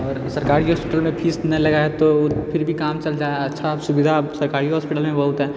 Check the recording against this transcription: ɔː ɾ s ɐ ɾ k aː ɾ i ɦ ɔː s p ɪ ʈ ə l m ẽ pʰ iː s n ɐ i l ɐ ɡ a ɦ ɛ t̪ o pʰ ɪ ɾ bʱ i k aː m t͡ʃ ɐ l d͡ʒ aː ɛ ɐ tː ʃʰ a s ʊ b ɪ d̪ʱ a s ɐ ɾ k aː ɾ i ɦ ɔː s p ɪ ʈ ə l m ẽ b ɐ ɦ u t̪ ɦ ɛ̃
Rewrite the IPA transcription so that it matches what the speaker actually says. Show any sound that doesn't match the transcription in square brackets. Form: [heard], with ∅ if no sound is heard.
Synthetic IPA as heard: ɔː ɾ s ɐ ɾ k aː ɾ i ɦ ɔː s p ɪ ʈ ə l m ẽ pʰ iː s n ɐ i l ɐ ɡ a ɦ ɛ t̪ o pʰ ɪ ɾ bʱ i k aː m t͡ʃ ɐ l d͡ʒ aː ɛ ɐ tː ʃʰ a s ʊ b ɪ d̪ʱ a s ɐ ɾ k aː ɾ i ɦ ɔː s p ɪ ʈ ə l m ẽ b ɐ ɦ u t̪ ɦ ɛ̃